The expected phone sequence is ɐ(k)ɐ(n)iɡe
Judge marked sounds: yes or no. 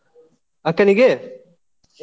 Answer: yes, yes

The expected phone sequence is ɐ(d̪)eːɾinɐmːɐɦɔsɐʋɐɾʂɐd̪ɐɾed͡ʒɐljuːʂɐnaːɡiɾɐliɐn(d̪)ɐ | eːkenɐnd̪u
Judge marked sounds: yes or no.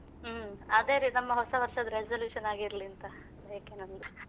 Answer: yes, no

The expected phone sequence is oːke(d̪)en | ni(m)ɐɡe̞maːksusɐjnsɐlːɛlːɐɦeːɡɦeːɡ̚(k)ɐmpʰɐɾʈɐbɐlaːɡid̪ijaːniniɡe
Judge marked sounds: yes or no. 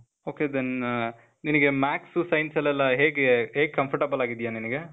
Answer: yes, no, yes

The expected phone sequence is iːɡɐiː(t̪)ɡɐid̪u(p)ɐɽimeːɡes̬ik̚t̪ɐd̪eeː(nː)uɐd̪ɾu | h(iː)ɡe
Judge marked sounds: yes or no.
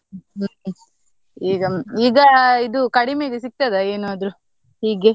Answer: no, no, no, yes

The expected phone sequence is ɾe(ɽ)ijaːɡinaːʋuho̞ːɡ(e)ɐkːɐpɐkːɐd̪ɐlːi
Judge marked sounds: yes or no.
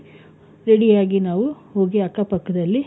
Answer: yes, no

